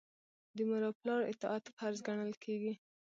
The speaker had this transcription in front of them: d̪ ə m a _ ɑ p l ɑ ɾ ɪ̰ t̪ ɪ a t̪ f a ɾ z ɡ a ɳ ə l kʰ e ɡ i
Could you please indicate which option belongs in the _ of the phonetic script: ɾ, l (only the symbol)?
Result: ɾ